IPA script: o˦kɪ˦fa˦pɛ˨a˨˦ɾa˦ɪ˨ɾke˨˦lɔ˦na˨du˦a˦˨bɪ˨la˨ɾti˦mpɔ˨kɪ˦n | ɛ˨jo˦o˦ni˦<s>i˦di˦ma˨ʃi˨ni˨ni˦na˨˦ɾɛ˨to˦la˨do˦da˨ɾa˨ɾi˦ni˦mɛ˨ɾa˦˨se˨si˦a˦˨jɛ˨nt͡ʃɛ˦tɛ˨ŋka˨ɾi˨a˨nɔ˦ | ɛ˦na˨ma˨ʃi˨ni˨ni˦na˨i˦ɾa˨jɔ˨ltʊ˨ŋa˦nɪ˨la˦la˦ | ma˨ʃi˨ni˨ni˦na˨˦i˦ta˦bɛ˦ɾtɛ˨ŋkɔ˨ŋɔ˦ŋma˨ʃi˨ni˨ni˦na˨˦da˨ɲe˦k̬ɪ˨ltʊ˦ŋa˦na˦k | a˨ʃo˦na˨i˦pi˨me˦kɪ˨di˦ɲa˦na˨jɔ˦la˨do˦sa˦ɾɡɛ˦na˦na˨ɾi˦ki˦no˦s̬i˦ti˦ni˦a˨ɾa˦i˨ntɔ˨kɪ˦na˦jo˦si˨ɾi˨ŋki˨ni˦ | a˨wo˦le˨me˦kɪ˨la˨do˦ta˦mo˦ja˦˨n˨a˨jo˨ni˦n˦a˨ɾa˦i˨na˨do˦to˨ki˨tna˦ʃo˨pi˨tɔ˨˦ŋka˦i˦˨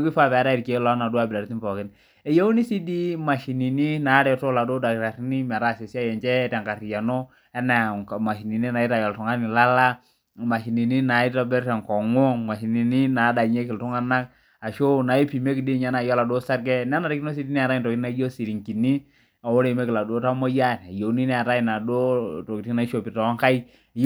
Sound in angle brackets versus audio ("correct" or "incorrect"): correct